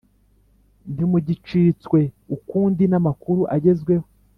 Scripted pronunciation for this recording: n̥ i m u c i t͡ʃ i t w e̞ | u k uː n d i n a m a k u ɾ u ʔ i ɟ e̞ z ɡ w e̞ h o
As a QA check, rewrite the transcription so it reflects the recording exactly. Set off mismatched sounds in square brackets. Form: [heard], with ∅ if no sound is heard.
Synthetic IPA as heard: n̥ i m u [ɟ] i t͡ʃ i [t͡s] w e̞ | u k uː n d i n a m a k u ɾ u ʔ [a] ɟ e̞ z ɡ w e̞ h o